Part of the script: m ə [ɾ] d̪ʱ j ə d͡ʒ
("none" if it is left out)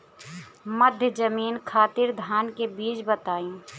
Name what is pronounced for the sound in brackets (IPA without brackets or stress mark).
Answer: none